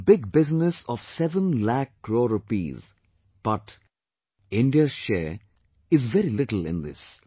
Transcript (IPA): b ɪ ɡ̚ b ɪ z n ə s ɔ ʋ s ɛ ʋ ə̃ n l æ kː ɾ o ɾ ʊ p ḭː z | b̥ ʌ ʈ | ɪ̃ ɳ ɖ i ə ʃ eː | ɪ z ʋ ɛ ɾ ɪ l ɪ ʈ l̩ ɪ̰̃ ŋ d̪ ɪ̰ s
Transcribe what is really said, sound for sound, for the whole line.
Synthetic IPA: b ɪ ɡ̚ b ɪ z n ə s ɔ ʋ s ɛ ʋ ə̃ n l æ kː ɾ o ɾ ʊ p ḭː z | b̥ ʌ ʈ | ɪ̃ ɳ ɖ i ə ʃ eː | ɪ z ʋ ɛ ɾ i l ɪ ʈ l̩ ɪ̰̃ n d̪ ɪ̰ s